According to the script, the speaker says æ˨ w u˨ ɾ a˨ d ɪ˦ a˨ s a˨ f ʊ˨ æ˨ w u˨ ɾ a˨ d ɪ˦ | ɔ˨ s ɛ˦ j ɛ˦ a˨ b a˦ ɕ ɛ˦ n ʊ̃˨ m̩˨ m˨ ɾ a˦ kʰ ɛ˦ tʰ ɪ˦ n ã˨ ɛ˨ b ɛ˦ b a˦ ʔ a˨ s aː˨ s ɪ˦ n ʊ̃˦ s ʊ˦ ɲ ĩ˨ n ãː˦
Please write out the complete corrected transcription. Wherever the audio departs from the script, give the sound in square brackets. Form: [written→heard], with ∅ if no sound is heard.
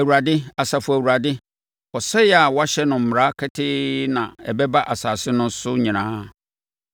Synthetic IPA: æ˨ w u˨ ɾ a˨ d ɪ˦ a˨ s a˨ f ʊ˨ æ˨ w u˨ ɾ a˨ d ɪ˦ | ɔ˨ s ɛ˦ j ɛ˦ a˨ [b→w] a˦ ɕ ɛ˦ n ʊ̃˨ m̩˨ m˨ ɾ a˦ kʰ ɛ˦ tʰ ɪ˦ n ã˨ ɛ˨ b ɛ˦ b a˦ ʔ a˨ s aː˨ s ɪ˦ n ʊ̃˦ s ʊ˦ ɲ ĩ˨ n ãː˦